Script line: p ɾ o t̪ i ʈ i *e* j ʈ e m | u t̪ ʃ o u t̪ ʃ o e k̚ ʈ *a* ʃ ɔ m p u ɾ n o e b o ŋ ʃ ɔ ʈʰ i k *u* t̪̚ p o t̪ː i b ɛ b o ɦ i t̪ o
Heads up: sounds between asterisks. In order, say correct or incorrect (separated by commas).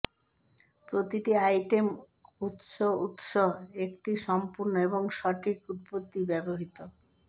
incorrect, incorrect, correct